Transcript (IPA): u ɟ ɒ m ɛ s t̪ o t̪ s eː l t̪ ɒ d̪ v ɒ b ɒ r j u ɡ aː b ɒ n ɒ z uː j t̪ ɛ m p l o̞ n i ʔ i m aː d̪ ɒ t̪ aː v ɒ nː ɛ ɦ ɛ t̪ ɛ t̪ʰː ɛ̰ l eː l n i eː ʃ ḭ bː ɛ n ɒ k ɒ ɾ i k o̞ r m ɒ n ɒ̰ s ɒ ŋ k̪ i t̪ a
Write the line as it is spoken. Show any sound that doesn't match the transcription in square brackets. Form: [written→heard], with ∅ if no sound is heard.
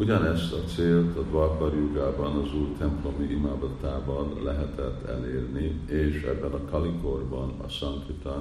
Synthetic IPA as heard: u ɟ ɒ [m→n] ɛ s t̪ [o→ɒ] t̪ s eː l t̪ ɒ d̪ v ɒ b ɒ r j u ɡ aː b ɒ n ɒ z uː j t̪ ɛ m p l o̞ [n→m] i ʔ i m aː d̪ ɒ t̪ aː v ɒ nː ɛ ɦ ɛ t̪ ɛ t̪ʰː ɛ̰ l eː [l→r] n i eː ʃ [ḭ→ɛ̰] bː ɛ n ɒ k ɒ [ɾ→l] i k o̞ r [m→b] ɒ n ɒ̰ s ɒ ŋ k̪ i t̪ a